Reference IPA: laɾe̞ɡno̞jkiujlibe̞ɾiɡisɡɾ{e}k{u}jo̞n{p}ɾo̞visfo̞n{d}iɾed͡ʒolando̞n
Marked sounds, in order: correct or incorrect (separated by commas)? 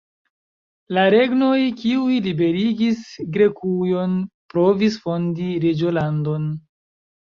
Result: correct, correct, correct, correct